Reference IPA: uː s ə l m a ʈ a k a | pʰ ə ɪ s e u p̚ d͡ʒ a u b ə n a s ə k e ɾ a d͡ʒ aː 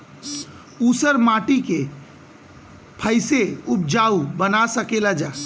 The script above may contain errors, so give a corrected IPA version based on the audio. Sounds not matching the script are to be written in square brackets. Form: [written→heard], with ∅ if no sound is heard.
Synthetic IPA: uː s ə [l→ɾ] m a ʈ [a→i] k [a→e] | pʰ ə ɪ s e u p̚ d͡ʒ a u b ə n a s ə k e [ɾ→l] a d͡ʒ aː